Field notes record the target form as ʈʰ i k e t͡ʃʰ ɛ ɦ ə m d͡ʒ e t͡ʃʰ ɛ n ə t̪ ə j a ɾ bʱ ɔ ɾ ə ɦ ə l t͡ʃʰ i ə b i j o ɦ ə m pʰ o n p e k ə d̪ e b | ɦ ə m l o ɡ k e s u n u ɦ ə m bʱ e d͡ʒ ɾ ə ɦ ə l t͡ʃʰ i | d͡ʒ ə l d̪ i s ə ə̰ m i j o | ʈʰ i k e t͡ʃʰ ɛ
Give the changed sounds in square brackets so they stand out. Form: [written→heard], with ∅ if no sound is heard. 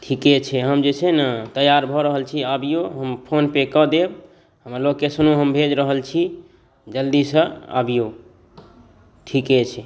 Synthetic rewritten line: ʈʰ i k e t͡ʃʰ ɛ ɦ ə m d͡ʒ e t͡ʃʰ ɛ n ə t̪ ə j a ɾ bʱ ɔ ɾ ə ɦ ə l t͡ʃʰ i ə b i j o ɦ ə m pʰ o n p e k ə d̪ e b | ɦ ə m l o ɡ k e s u n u ɦ ə m bʱ e d͡ʒ ɾ ə ɦ ə l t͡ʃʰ i | d͡ʒ ə l d̪ i s ə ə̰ [m→b] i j o | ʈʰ i k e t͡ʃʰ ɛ